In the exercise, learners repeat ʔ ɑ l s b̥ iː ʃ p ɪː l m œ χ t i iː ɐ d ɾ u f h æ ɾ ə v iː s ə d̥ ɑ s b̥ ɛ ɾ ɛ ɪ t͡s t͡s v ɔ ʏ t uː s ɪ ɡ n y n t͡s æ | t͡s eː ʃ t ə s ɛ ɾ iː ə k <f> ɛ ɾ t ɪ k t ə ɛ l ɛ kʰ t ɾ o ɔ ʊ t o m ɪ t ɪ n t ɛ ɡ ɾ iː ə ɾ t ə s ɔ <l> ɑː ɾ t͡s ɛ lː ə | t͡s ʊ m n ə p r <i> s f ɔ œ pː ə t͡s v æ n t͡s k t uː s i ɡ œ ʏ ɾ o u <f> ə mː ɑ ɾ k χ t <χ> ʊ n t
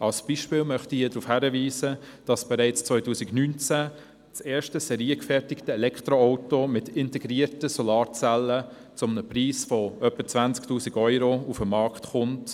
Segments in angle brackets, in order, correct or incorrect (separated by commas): correct, correct, incorrect, correct, correct